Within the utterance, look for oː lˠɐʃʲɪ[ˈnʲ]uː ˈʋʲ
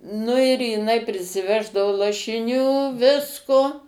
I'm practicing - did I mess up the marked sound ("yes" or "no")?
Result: no